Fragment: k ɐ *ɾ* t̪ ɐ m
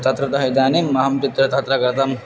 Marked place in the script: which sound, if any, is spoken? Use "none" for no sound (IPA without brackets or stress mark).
ɾ